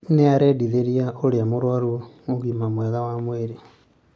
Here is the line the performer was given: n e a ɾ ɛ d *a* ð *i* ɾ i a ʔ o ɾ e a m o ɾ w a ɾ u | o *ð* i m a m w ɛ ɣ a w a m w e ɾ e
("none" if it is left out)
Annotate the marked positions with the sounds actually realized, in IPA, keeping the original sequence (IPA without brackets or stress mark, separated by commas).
i, e, ɣ